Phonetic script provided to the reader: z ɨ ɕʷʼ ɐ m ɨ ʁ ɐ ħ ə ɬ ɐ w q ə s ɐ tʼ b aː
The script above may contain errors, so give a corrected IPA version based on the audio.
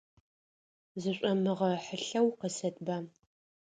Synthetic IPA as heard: z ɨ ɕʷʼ ɐ m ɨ ʁ ɐ ħ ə ɬ ɐ w q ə s ɐ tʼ b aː